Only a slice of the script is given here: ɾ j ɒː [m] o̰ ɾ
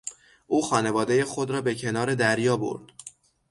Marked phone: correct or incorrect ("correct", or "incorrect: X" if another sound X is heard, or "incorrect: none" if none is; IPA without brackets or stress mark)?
incorrect: b